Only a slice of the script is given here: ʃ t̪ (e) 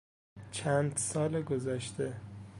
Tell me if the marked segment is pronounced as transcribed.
yes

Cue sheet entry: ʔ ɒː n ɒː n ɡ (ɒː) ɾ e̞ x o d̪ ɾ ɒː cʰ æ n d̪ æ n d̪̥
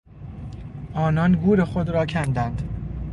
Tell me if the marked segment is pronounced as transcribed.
no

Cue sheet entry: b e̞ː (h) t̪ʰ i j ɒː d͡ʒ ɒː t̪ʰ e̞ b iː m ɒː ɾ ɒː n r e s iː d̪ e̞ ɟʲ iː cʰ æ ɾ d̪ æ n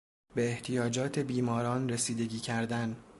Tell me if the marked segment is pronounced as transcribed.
yes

